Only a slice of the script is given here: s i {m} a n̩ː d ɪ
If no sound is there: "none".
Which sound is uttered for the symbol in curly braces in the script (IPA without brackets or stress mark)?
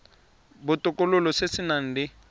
n